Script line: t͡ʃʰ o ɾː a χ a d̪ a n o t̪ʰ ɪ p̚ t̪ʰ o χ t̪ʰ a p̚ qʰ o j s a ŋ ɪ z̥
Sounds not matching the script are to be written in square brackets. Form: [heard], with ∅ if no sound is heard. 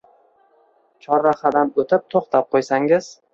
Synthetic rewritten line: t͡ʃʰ [ɒ] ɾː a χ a d̪ a n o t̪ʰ ɪ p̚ t̪ʰ o χ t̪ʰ a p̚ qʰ o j s a ŋ ɪ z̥